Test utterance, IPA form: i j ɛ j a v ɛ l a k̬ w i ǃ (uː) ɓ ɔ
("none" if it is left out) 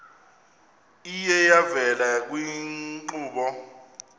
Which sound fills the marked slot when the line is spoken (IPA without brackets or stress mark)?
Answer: uː